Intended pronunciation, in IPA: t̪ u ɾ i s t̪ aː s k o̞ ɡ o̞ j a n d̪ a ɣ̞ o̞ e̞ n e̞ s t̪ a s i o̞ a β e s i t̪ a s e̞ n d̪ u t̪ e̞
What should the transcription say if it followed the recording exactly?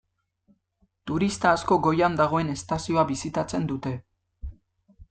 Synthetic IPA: t̪ u ɾ i s t̪ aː s k o̞ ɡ o̞ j a n d̪ a ɣ̞ o̞ e̞ n e̞ s t̪ a s i o̞ a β i s i t̪ a t͡s e̞ n d̪ u t̪ e̞